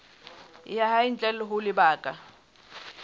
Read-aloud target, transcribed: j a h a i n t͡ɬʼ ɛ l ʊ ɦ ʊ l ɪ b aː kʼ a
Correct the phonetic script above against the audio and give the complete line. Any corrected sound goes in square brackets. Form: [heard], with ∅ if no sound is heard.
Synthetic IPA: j a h a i n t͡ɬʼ ɛ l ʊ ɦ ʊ l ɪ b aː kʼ a